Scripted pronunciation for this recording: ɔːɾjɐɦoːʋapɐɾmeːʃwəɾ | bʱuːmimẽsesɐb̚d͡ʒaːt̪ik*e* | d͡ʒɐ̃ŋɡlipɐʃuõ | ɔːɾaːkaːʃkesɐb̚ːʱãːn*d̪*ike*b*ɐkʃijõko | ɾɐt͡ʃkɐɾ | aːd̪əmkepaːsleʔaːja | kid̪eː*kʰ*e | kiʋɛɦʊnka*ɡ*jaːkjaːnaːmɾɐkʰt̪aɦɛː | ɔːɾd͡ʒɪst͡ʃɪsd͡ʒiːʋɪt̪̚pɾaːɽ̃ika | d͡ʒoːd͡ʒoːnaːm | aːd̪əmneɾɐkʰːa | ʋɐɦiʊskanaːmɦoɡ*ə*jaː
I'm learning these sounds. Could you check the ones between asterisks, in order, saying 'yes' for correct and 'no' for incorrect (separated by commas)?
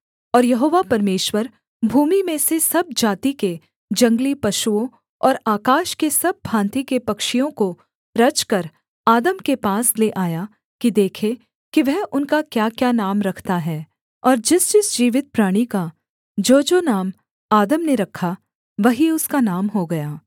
yes, no, no, yes, no, no